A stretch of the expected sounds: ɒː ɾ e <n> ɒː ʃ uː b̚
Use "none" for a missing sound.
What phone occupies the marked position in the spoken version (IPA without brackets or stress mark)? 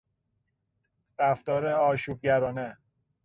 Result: none